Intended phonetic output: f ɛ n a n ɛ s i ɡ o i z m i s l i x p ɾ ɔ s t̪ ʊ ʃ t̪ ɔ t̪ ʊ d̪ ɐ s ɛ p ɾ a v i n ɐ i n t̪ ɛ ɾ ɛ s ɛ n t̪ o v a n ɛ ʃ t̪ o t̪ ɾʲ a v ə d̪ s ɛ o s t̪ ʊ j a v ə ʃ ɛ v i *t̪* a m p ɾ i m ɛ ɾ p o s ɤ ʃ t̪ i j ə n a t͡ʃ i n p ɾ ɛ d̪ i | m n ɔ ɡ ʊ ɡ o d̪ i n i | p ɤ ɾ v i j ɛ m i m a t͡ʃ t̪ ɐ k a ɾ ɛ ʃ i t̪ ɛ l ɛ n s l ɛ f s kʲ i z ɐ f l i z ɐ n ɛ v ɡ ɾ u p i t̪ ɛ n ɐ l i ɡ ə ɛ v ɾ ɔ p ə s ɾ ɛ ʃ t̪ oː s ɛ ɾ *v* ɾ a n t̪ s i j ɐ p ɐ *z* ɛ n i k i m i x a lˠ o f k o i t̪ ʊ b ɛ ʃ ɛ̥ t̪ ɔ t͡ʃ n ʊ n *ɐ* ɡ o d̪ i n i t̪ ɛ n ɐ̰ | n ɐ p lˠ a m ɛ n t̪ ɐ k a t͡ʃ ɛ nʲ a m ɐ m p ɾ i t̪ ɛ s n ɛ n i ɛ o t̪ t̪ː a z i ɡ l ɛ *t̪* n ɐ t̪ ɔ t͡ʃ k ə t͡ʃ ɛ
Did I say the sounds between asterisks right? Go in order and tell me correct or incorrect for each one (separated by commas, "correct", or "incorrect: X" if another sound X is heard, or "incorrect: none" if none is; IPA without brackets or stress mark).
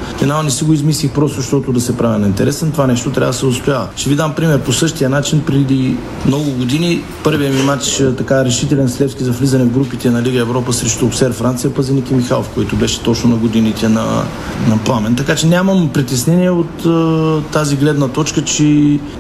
incorrect: d̪, incorrect: f, correct, correct, incorrect: d̪